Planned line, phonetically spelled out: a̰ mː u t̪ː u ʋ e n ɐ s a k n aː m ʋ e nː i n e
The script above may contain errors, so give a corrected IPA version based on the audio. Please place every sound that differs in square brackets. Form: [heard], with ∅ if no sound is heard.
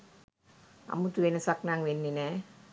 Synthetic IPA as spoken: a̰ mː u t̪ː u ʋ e n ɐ s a k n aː [ŋ] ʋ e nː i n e